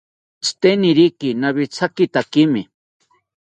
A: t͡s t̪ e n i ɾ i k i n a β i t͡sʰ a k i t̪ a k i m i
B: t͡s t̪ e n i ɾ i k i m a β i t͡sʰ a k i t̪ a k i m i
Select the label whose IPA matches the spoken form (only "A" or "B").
A